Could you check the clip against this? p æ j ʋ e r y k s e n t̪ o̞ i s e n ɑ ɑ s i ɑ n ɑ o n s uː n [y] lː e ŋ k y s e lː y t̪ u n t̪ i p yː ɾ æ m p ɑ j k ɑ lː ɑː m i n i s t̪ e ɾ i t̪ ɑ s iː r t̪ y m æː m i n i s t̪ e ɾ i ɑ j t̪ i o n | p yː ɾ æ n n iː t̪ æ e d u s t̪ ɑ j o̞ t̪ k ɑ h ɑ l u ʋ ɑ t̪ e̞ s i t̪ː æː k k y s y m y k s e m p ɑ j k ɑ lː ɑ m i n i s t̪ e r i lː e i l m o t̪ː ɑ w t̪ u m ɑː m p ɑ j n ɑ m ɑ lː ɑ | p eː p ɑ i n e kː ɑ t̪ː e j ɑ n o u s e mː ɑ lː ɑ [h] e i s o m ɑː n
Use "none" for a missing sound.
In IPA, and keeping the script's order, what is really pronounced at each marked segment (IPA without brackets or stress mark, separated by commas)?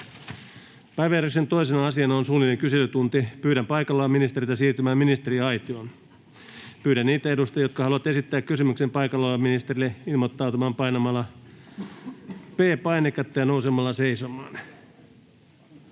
i, s